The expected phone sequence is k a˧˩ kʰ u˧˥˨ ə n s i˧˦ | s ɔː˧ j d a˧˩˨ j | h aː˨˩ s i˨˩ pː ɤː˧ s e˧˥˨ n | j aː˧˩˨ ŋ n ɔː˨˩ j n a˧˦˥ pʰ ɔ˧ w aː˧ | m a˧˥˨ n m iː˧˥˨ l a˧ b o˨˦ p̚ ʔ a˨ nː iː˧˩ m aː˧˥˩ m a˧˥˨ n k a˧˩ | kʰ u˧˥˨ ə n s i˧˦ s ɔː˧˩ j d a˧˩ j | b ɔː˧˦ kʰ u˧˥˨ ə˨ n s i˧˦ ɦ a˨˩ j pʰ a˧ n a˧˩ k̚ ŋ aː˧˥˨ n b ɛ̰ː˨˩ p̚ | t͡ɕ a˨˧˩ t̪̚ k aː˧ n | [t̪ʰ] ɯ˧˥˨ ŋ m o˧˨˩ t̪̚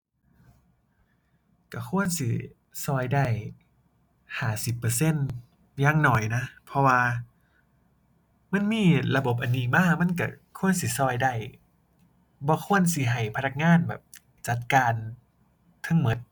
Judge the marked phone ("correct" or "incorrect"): correct